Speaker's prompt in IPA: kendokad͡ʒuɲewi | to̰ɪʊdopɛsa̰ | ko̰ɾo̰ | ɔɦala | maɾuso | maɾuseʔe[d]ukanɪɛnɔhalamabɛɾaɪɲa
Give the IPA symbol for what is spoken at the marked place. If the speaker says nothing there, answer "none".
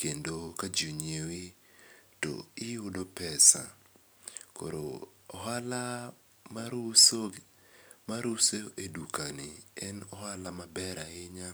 d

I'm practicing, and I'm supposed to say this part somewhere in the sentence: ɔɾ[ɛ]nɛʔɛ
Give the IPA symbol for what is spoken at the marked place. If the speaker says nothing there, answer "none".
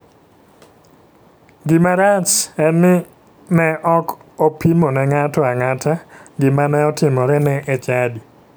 ɛ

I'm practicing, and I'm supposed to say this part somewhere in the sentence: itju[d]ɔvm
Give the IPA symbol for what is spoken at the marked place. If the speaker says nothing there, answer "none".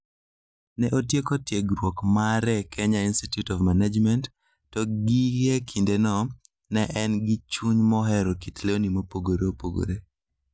t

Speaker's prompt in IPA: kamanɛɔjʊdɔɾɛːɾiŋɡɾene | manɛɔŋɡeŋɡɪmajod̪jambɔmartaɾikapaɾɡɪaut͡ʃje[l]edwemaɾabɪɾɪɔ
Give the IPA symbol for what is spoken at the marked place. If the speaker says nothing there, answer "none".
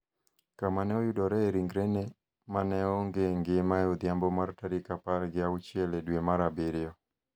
l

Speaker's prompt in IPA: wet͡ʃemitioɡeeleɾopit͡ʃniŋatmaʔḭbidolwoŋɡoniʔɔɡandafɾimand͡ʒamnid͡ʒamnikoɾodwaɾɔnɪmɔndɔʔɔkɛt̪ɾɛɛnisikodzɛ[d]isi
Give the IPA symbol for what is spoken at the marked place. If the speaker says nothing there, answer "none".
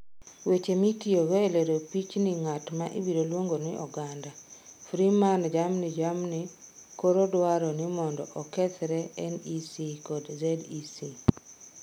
d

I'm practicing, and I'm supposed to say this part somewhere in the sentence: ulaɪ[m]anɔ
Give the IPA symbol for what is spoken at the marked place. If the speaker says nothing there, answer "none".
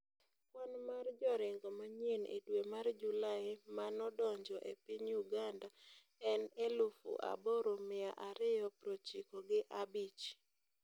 m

